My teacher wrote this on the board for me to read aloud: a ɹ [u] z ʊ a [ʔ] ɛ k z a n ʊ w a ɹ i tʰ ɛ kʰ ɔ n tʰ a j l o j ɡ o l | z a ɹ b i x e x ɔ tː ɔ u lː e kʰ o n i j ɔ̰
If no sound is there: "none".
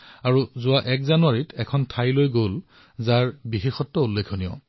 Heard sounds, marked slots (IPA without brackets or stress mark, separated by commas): u, ʔ